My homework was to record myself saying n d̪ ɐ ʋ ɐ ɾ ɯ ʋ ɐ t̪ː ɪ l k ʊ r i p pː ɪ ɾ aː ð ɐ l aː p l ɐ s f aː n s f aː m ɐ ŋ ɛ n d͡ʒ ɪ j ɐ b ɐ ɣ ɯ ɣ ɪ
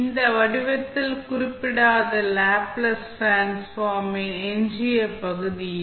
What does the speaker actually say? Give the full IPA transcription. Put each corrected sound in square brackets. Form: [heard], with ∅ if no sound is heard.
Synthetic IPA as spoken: n d̪ ɐ ʋ ɐ [ɽ] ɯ ʋ ɐ t̪ː ɪ l k ʊ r [ɪ] p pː ɪ [ɽ] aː ð ɐ l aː p l ɐ s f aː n s f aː m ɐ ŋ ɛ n d͡ʒ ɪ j ɐ [p] ɐ ɣ ɯ [ð] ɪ